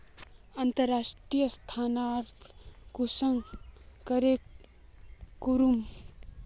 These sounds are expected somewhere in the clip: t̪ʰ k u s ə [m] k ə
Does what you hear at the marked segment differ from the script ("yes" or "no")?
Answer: yes